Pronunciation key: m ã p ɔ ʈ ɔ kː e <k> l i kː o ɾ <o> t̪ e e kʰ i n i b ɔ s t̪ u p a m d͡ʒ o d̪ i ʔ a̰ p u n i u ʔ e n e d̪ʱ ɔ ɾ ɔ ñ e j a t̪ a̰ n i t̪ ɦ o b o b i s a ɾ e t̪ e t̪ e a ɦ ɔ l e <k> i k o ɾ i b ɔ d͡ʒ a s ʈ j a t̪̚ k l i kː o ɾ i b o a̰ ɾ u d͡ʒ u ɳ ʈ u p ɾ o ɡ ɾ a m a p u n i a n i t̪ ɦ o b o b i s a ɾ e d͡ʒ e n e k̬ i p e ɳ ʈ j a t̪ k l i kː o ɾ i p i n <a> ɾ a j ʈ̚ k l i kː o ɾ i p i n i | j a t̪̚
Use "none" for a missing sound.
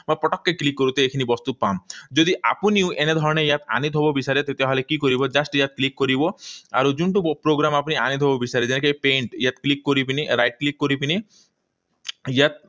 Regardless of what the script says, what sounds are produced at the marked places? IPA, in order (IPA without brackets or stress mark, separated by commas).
k, u, k, i